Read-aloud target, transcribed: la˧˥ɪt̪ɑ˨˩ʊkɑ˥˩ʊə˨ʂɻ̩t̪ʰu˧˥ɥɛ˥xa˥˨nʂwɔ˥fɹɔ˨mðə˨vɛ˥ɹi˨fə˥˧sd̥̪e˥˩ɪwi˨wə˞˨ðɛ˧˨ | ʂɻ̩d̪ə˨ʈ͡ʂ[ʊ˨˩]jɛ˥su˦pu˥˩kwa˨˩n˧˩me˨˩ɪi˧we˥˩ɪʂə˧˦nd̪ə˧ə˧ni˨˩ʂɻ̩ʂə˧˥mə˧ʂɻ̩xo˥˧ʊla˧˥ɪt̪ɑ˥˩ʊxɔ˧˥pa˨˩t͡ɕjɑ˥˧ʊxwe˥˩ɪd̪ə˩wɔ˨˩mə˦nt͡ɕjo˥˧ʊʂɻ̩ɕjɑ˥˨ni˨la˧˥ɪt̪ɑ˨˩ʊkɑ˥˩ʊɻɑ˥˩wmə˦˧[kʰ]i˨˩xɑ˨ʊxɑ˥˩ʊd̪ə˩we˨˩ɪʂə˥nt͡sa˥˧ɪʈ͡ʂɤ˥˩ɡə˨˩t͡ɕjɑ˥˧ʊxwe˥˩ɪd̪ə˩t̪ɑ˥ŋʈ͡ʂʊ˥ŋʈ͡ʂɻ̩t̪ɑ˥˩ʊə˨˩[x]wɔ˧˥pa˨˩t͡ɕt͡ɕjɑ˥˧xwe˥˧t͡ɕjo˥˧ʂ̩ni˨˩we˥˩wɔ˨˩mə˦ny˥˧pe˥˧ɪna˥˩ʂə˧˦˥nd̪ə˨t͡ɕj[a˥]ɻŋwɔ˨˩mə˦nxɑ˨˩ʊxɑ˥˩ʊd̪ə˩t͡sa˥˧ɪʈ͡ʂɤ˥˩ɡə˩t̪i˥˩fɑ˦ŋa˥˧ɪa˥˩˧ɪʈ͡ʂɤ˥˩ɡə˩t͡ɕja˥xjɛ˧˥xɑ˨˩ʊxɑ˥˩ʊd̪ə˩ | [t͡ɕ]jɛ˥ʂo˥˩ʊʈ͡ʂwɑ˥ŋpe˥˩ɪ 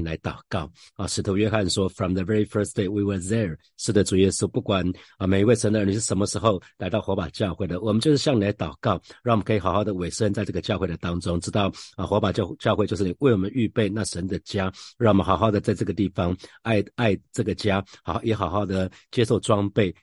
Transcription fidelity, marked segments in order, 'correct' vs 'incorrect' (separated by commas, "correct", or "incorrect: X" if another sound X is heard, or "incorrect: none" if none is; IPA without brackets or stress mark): incorrect: u˨˩, correct, correct, correct, correct